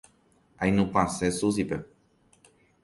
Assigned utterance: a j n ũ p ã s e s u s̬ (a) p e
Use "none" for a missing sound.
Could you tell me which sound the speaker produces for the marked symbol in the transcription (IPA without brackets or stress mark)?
i